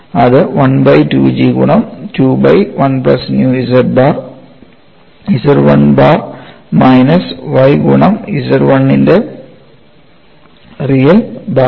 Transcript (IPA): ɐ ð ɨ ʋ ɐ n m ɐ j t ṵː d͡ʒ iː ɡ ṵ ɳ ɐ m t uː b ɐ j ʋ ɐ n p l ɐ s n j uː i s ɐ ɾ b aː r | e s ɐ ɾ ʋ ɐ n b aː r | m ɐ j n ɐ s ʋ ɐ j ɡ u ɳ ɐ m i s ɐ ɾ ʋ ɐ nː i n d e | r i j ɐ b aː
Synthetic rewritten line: ɐ ð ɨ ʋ ɐ n b ɐ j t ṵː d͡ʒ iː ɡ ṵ ɳ ɐ m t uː b ɐ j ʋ ɐ n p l ɐ s n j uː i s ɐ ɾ b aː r | i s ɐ ɾ ʋ ɐ n b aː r | m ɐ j n ɐ s ʋ ɐ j ɡ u ɳ ɐ m i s ɐ ɾ ʋ ɐ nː i n d e | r i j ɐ b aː